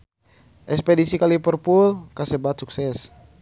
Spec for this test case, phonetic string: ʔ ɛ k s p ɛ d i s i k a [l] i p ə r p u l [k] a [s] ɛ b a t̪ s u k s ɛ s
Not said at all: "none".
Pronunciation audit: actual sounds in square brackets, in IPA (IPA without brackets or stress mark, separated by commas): l, k, s